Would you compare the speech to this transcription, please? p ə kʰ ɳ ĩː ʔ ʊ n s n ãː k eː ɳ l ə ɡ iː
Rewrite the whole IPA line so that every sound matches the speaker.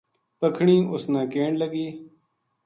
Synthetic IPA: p ə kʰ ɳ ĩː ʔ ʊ s n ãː k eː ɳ l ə ɡ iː